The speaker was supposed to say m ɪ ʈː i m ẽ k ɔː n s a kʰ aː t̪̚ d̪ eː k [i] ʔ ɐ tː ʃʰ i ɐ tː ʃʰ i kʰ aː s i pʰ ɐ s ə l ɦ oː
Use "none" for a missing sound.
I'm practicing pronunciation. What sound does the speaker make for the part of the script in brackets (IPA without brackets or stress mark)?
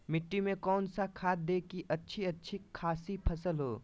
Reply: i